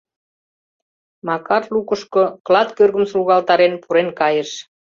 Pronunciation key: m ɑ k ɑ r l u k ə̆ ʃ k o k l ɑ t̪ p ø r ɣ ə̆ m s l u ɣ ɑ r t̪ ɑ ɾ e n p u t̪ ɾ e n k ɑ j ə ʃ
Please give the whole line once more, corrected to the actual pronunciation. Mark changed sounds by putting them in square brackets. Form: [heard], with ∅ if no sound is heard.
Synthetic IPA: m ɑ k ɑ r l u k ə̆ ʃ k o k l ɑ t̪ [k] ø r ɣ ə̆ m s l u ɣ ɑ [l] t̪ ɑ ɾ e n p u [∅] ɾ e n k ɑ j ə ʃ